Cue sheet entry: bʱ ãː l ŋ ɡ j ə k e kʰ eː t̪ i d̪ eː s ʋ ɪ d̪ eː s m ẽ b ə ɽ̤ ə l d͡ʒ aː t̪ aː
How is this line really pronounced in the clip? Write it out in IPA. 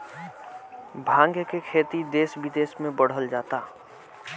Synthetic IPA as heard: bʱ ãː ŋ ɡ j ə k e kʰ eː t̪ i d̪ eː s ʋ ɪ d̪ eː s m ẽ b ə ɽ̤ ə l d͡ʒ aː t̪ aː